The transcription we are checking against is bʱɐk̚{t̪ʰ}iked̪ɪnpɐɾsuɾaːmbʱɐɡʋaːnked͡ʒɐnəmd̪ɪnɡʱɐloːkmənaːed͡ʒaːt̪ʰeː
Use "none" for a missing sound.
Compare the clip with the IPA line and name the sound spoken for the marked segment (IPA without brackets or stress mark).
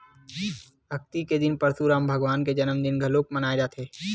t̪